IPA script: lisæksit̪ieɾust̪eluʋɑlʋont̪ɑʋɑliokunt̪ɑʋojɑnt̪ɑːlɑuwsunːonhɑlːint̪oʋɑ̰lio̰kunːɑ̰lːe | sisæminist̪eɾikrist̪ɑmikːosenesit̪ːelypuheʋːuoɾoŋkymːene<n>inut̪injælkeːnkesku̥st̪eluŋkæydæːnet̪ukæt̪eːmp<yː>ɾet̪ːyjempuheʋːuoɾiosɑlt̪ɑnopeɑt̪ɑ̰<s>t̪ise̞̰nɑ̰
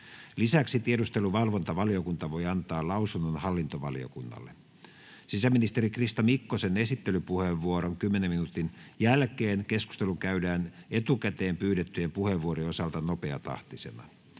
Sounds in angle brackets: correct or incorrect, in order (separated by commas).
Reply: incorrect, correct, incorrect